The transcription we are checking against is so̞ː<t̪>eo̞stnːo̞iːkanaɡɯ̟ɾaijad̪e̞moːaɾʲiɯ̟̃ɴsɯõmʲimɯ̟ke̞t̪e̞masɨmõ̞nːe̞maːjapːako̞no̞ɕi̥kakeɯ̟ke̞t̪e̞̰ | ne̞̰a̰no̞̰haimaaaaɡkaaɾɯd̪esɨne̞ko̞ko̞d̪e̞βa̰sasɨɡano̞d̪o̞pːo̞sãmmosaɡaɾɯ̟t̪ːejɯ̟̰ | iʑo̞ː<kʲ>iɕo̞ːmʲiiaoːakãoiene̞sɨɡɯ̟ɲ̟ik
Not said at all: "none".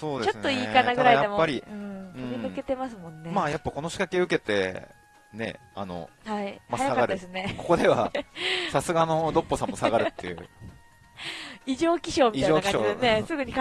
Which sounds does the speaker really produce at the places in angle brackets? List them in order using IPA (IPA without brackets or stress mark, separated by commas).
d̪, kʲ